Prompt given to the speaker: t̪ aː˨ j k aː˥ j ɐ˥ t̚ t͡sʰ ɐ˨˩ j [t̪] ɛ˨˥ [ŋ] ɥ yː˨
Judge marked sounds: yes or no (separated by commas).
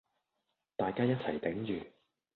yes, yes